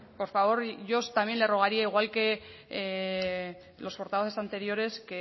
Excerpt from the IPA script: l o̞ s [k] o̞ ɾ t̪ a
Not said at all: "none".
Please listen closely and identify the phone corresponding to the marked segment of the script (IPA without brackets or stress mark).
p